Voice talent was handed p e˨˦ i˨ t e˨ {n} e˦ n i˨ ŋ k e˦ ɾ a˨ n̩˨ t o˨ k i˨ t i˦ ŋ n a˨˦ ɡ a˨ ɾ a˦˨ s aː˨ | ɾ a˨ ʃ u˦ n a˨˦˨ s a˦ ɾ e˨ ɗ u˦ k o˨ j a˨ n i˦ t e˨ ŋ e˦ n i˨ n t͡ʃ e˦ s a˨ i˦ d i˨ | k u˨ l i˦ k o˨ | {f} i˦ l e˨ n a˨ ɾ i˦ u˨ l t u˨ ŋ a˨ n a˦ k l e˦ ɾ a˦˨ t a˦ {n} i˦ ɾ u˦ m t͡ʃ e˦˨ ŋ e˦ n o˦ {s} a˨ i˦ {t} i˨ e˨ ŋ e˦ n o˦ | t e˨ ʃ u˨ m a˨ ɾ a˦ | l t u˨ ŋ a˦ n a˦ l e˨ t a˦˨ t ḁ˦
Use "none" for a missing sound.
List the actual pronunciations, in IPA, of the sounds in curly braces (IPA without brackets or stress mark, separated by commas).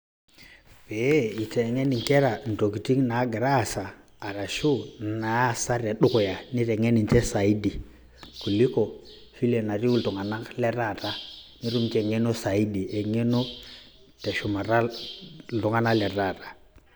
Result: ŋ, f, n, s, d